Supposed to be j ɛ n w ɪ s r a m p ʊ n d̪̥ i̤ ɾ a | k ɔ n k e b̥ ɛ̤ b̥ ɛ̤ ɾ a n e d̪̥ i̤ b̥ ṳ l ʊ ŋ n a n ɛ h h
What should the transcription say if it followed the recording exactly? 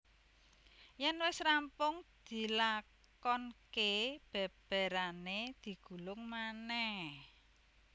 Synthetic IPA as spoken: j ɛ n w ɪ s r a m p ʊ ŋ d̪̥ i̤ l a | k ɔ n k e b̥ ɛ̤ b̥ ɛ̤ ɾ a n e d̪̥ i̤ ɡ̥ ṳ l ʊ ŋ m a n ɛ h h